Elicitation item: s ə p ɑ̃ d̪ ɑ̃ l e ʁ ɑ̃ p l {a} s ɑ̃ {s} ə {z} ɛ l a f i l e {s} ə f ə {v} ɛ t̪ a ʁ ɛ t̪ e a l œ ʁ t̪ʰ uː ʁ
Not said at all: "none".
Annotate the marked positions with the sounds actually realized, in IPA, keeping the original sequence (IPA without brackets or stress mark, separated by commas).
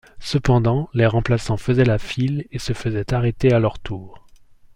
a, f, z, s, z